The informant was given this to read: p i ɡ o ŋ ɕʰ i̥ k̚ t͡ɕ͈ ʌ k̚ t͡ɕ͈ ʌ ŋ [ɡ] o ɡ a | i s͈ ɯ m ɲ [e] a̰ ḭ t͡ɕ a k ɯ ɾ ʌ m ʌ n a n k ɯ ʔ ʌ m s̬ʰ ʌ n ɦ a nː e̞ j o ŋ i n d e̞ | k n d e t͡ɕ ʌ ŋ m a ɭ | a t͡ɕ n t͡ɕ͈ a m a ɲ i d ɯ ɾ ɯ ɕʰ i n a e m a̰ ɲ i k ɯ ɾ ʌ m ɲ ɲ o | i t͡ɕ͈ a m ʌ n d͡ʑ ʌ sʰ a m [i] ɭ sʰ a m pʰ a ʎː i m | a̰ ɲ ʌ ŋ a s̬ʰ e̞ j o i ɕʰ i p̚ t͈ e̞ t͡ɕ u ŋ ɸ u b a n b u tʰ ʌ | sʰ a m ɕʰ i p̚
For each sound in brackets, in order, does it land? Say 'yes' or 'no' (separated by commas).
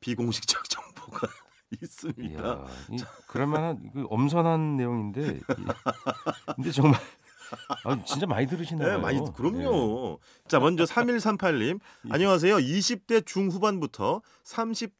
no, no, yes